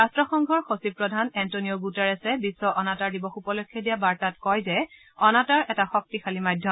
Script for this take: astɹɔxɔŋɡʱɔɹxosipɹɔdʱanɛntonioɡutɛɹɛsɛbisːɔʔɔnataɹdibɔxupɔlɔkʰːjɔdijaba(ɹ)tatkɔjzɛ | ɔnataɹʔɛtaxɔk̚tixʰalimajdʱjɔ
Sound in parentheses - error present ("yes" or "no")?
no